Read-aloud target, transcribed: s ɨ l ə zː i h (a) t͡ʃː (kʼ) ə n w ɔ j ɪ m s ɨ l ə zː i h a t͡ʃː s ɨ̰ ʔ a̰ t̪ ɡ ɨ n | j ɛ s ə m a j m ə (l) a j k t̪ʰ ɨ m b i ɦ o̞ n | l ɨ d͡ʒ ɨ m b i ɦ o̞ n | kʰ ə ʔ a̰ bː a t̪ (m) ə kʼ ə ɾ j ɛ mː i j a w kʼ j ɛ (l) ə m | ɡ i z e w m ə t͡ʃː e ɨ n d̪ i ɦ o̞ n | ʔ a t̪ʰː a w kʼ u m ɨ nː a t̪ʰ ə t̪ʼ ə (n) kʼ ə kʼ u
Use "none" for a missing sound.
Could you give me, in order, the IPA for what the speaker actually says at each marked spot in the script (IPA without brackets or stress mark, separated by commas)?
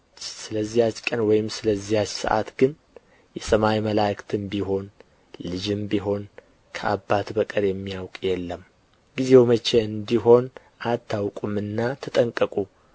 a, kʼ, l, b, lː, ŋ